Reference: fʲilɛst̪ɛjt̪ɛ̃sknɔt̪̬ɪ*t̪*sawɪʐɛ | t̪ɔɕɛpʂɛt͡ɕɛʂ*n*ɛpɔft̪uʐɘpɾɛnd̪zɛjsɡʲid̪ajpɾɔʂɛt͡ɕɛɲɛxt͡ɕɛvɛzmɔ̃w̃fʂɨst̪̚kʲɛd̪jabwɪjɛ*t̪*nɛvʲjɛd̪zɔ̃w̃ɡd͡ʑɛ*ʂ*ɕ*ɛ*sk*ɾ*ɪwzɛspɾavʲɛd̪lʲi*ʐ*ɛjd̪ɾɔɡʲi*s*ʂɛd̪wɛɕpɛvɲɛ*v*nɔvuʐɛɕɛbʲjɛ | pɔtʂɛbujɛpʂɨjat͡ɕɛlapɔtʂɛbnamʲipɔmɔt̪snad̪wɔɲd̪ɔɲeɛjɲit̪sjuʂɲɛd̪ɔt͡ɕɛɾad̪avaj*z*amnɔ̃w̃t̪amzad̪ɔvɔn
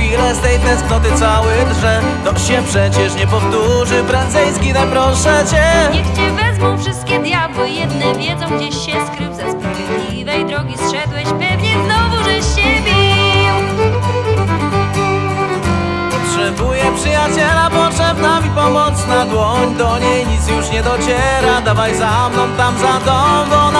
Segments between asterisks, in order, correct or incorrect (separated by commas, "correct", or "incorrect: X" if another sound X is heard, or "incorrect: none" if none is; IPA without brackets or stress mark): correct, incorrect: ɲ, incorrect: d̪, incorrect: ɕ, correct, correct, incorrect: v, correct, incorrect: z, correct